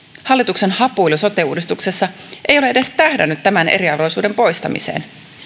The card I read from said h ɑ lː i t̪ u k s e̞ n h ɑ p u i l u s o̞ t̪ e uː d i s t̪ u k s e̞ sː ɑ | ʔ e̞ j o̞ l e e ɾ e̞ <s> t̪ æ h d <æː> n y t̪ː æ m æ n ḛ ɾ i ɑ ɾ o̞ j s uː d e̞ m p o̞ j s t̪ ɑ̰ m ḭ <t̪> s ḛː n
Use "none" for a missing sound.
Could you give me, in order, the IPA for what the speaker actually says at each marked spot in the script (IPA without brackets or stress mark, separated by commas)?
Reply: s, æ, none